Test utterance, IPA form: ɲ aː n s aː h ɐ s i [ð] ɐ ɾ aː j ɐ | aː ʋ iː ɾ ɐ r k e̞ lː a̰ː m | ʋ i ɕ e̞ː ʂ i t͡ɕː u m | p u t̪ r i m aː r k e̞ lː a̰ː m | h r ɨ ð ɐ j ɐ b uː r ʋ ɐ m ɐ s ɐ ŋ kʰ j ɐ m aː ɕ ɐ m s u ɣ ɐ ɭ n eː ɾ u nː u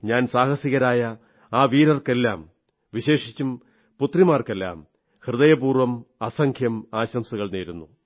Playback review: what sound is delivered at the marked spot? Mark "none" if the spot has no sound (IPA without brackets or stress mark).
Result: ɣ